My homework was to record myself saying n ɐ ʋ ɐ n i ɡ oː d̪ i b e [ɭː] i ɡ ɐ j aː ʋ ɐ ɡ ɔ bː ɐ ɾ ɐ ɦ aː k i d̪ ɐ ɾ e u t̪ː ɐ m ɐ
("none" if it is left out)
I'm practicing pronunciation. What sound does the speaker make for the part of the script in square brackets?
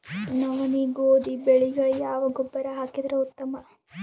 ɭ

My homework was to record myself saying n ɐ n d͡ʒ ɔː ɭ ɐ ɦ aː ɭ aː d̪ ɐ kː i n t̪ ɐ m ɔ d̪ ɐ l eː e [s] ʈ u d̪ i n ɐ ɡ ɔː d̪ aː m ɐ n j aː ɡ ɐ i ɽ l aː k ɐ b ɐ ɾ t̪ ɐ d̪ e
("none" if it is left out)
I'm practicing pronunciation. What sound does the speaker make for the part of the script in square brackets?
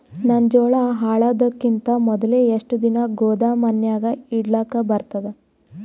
ʂ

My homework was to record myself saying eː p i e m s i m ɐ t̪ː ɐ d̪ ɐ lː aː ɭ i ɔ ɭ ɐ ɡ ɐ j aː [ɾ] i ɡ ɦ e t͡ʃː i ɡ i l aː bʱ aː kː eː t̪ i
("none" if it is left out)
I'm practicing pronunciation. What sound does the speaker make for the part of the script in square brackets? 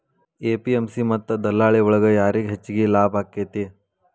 ɾ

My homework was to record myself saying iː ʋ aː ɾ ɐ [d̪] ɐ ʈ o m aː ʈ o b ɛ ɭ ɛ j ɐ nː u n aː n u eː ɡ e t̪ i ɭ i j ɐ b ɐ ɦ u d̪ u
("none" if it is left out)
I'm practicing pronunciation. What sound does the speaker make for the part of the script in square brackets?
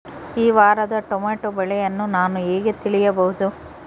d̪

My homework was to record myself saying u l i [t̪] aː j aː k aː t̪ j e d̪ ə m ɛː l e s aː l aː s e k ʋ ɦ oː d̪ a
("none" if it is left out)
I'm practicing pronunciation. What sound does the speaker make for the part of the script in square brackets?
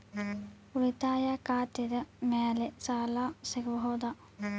t̪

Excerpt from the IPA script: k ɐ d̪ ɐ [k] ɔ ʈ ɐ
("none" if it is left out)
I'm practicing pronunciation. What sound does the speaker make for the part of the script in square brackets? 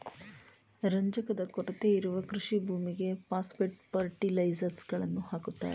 k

